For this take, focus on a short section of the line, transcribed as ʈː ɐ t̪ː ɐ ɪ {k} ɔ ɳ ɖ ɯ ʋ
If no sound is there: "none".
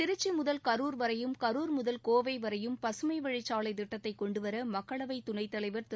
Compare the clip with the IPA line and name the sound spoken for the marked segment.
k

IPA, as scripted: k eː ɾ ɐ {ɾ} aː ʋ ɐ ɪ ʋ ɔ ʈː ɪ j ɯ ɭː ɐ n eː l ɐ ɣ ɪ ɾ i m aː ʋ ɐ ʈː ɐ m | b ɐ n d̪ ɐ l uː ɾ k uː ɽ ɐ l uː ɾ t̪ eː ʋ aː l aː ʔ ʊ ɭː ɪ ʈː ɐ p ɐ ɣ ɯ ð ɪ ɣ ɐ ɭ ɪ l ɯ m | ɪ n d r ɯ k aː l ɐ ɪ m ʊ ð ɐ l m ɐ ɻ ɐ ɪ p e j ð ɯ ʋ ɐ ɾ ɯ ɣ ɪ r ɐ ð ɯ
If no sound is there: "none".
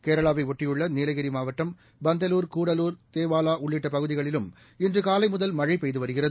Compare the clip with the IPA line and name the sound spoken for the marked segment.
ɭ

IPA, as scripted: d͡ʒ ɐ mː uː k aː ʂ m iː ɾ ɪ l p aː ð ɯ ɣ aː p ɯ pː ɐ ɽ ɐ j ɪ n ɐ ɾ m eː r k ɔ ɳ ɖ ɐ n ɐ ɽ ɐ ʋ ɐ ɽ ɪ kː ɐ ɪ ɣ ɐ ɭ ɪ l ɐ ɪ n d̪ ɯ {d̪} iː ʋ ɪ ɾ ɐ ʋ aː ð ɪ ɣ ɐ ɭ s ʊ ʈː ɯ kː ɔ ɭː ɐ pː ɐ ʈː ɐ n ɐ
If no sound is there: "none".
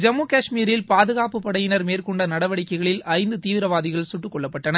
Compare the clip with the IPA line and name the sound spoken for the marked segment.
t̪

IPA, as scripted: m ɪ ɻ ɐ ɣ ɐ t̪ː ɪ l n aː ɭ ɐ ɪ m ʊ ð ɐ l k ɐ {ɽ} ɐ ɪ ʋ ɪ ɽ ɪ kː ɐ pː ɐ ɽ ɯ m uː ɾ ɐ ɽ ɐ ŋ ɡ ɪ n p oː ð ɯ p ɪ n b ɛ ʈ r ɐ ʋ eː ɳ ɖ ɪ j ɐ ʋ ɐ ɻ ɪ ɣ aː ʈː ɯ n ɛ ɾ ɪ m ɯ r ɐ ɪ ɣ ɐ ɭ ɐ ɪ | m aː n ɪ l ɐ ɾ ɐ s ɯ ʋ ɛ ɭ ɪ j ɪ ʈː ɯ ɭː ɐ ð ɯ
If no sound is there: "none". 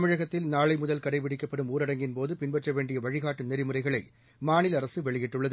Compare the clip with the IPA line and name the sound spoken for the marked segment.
ɽ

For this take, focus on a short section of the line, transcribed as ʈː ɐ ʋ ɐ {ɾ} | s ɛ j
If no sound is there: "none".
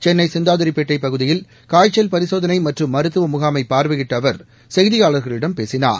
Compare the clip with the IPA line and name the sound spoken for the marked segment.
ɾ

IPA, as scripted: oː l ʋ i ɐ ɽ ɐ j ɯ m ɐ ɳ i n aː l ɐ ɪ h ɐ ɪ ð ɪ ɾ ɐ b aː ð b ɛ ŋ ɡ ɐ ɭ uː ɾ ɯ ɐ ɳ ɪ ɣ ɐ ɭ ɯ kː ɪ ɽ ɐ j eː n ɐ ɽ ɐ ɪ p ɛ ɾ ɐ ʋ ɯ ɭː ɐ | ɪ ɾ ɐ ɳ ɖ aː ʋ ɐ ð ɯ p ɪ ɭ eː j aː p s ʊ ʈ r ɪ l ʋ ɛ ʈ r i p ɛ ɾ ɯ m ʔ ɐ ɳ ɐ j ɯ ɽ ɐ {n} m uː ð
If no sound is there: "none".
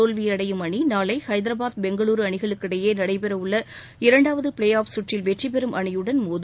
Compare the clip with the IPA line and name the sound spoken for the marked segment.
n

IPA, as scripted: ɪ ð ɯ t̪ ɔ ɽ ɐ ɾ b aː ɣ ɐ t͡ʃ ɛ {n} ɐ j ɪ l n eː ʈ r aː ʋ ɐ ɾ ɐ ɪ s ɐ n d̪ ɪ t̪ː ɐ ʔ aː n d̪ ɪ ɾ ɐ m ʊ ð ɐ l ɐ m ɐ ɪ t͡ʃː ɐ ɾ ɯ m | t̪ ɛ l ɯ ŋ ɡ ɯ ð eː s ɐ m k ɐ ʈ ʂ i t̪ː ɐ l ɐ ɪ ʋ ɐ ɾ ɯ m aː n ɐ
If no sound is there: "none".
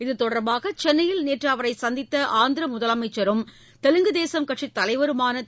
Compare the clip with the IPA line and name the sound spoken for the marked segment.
nː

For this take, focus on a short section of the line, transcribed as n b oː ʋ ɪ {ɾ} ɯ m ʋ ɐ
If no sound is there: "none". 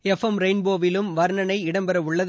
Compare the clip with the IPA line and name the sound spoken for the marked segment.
l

